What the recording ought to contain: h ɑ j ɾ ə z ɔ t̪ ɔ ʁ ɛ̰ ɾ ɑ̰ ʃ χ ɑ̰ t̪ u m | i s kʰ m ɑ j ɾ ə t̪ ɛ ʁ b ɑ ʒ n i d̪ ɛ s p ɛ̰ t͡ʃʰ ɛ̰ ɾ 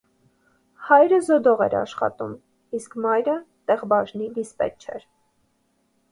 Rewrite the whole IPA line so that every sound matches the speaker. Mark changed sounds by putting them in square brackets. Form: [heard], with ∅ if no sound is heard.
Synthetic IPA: h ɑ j ɾ ə z ɔ [d̪] ɔ ʁ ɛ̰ ɾ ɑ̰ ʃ χ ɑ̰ t̪ u m | i s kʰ m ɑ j ɾ ə t̪ ɛ ʁ b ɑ ʒ n i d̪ [i] s p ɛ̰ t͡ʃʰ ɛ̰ ɾ